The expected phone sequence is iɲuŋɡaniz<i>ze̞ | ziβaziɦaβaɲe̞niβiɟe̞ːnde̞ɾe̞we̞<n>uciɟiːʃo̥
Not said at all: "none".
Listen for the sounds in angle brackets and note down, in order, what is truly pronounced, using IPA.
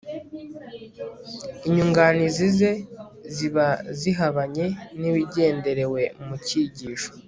i, m

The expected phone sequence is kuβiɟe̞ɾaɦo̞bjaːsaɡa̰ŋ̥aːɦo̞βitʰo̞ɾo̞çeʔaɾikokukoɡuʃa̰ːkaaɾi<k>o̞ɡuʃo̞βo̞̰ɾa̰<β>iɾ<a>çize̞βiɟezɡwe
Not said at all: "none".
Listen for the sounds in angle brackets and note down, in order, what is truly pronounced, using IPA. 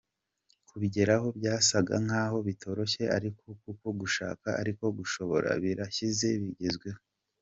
k, β, a

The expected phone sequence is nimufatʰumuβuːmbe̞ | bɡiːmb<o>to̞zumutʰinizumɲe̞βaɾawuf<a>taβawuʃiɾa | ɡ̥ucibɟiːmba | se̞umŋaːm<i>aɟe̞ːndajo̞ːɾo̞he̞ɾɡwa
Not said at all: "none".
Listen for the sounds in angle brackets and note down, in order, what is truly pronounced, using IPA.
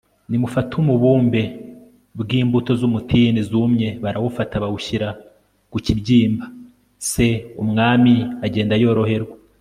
u, a, i

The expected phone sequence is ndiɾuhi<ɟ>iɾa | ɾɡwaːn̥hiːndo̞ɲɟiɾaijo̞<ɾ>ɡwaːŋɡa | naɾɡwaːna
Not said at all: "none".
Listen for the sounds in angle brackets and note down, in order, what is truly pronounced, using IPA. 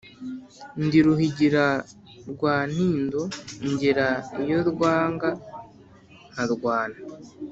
ɟ, ɾ

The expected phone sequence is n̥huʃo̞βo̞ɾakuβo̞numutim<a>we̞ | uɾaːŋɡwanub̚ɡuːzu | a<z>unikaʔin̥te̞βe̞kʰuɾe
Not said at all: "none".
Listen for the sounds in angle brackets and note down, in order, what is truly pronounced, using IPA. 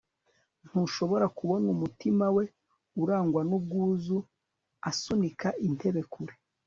a, s

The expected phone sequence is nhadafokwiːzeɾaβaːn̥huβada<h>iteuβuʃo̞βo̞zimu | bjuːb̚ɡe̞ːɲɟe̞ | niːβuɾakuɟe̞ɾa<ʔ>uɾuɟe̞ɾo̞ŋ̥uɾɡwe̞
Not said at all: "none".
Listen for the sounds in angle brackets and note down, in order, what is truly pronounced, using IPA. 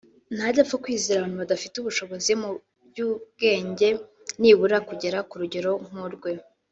f, k

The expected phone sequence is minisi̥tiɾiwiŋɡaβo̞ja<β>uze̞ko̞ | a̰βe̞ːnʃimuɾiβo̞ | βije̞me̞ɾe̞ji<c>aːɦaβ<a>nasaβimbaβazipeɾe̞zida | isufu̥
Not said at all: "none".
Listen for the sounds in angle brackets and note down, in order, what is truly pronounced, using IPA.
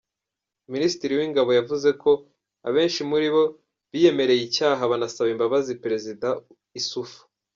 v, c, a

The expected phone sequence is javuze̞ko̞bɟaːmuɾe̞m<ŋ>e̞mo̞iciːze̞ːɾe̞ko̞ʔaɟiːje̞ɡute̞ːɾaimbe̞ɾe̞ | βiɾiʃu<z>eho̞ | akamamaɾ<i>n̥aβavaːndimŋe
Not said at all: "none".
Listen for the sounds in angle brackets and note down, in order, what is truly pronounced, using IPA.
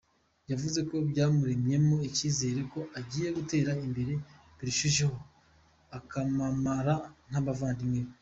ɲ, ʒ, a

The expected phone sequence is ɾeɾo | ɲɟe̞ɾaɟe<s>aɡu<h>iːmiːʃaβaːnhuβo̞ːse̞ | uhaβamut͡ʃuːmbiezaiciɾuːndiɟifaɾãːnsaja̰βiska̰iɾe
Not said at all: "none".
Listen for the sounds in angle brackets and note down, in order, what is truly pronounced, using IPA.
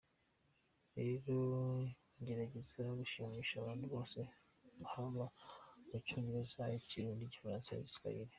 z, ʃ

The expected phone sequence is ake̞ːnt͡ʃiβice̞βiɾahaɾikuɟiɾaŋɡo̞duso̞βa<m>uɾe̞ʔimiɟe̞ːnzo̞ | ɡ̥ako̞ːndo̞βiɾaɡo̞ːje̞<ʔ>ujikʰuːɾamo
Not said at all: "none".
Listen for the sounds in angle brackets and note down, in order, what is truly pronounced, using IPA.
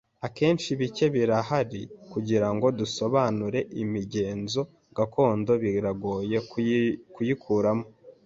n, k

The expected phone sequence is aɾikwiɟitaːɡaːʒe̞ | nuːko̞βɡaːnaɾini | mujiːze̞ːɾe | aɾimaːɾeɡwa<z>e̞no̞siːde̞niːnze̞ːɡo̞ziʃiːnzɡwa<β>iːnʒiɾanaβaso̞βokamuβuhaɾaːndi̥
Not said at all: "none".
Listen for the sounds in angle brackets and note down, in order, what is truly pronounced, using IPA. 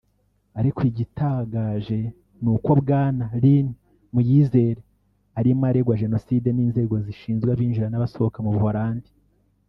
ʒ, β

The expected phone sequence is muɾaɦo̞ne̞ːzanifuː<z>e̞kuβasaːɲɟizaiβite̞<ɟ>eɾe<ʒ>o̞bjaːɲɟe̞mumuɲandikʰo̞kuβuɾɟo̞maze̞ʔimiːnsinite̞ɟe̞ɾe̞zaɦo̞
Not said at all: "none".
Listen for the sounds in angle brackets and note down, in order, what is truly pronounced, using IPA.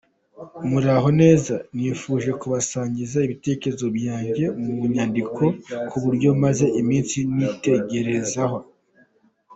ʒ, c, z

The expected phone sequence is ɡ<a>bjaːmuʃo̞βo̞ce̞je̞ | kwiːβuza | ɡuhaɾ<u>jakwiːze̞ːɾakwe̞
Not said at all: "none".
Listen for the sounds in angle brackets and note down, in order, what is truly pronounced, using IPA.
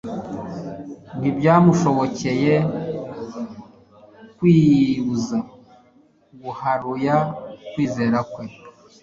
i, u

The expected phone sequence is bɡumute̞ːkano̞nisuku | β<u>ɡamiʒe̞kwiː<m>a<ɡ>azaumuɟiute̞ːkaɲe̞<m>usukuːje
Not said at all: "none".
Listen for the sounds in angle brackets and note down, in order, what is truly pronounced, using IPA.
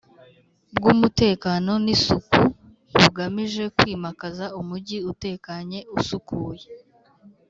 u, m, k, none

